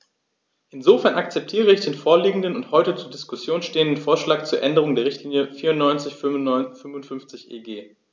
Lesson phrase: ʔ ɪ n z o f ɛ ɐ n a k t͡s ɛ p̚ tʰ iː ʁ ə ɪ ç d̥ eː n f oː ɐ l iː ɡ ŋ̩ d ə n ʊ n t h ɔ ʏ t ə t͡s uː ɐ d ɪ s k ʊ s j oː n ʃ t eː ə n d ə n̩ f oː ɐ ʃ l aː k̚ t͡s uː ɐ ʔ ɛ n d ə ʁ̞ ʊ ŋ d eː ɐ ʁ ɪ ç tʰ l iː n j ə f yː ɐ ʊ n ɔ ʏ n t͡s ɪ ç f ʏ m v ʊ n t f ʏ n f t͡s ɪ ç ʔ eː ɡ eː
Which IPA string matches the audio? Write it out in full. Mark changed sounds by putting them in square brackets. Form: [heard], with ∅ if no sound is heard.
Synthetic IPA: ʔ ɪ n z o f ɛ ɐ n a k t͡s ɛ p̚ tʰ iː ʁ ə ɪ ç d̥ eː n f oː ɐ l iː ɡ ŋ̩ d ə n ʊ n t h ɔ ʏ t ə t͡s uː ɐ d ɪ s k ʊ s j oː n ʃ t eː ə n d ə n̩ f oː ɐ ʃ l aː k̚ t͡s uː ɐ ʔ ɛ n d ə ʁ̞ ʊ ŋ d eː ɐ ʁ ɪ ç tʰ l iː n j ə f [iː] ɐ ʊ n ɔ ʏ n t͡s ɪ ç f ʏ m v ʊ n t f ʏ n f t͡s ɪ ç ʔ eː ɡ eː